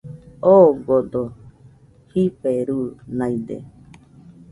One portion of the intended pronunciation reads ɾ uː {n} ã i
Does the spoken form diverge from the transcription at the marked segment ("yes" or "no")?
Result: no